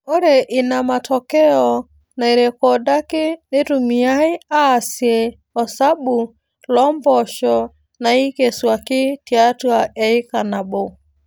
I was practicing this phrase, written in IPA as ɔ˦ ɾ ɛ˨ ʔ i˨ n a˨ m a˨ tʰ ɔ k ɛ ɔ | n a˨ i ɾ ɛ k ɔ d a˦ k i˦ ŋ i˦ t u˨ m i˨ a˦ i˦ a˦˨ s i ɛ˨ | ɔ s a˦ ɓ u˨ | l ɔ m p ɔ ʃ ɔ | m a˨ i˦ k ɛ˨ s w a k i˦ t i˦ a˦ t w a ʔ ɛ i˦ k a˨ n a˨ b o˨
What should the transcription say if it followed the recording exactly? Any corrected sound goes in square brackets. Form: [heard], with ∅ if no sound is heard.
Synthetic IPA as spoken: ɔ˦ ɾ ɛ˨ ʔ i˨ n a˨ m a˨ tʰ ɔ k ɛ ɔ | n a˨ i ɾ ɛ k ɔ d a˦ k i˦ [n] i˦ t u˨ m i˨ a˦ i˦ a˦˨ s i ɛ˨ | ɔ s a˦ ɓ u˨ | l ɔ m [b] ɔ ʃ ɔ | [n] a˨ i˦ k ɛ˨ s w a k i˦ t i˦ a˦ t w a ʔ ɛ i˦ k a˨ n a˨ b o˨